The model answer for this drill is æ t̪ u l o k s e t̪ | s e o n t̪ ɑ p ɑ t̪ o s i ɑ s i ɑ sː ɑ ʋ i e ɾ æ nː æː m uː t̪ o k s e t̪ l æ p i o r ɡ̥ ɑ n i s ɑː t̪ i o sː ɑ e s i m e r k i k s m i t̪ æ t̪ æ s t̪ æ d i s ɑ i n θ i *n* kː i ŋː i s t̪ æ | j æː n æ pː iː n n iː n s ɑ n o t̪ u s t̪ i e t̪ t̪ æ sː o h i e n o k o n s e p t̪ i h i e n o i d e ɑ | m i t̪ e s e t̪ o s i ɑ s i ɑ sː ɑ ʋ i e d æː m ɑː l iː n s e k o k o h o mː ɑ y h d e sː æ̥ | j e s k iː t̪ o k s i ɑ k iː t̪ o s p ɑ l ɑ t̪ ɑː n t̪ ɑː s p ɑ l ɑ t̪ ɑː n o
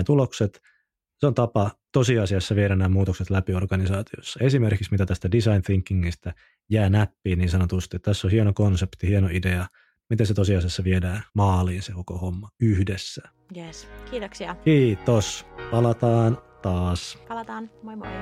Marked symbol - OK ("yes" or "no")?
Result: no